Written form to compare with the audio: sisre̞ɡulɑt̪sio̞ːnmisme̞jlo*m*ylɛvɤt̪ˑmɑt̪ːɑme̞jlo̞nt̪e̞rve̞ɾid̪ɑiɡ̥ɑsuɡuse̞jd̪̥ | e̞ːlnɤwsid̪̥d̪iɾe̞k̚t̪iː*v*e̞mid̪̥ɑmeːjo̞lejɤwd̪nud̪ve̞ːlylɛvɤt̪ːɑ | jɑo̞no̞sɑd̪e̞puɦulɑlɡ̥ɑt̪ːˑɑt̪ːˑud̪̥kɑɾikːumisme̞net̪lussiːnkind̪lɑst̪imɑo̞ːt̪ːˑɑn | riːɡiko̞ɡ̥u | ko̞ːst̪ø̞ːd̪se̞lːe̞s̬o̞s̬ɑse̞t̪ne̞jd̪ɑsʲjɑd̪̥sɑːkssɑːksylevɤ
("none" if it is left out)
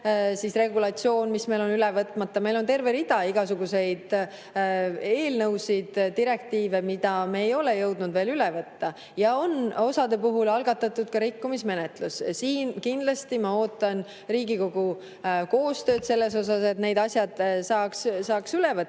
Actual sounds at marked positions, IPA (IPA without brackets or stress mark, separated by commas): n, v